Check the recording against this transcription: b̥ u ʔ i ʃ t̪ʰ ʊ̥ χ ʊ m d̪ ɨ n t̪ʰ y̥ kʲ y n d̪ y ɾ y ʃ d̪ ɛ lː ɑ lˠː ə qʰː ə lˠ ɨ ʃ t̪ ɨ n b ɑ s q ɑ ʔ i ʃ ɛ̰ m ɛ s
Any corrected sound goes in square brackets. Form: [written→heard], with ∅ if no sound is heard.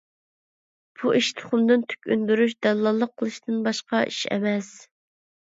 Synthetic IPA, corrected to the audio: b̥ u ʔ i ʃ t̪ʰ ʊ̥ χ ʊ m d̪ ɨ n t̪ʰ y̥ kʲ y n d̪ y ɾ y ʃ d̪ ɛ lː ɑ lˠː ə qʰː ə lˠ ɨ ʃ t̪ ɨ n b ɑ [s→ʃ] q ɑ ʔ i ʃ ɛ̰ m ɛ s